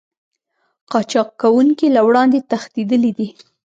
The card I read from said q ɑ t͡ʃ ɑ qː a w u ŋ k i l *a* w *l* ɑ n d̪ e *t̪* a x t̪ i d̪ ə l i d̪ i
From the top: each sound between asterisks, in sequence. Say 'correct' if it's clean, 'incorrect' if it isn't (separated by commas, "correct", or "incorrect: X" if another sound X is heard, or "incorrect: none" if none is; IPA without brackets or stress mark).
correct, incorrect: ɽ, correct